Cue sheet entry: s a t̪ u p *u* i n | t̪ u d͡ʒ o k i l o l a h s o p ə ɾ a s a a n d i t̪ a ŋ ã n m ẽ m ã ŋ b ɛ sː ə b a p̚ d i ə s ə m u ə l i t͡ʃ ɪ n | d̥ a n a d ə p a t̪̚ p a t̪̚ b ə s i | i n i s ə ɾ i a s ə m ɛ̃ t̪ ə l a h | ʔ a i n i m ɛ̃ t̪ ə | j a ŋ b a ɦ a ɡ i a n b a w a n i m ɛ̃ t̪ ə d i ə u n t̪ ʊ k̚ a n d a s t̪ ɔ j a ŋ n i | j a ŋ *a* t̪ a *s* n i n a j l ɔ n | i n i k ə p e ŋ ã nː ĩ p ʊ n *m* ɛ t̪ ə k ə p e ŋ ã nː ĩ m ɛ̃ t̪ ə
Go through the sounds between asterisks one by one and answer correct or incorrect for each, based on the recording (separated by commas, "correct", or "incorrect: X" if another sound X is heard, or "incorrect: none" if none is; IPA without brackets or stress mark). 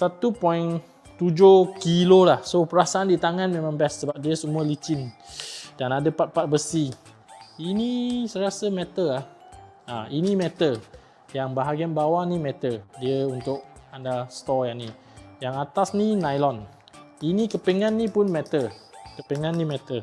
incorrect: ɔ, correct, correct, correct